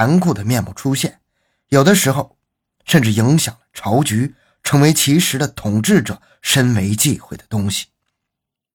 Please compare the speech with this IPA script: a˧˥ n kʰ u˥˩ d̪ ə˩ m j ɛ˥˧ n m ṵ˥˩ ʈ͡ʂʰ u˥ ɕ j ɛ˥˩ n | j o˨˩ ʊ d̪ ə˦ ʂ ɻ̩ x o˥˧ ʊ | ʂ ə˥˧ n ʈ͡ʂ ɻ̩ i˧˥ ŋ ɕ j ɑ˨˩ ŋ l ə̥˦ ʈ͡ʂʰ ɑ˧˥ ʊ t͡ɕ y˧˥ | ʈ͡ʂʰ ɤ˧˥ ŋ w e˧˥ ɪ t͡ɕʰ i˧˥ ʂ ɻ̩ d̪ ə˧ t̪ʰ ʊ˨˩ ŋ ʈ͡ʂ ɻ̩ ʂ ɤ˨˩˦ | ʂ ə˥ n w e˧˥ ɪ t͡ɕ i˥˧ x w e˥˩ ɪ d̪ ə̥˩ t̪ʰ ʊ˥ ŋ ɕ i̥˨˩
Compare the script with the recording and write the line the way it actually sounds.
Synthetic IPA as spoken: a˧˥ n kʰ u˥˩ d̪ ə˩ m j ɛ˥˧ n m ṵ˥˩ ʈ͡ʂʰ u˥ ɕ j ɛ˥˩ n | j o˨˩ ʊ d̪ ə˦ ʂ ɻ̩ x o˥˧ ʊ | ʂ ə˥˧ n ʈ͡ʂ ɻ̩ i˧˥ ŋ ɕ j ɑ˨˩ ŋ l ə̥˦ ʈ͡ʂʰ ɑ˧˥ ʊ t͡ɕ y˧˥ | ʈ͡ʂʰ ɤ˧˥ ŋ w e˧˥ ɪ t͡ɕʰ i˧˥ ʂ ɻ̩ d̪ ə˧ t̪ʰ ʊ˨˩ ŋ ʈ͡ʂ ɻ̩ ʈ͡ʂ ɤ˨˩˦ | ʂ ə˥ n w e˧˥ ɪ t͡ɕ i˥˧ x w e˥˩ ɪ d̪ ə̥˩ t̪ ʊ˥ ŋ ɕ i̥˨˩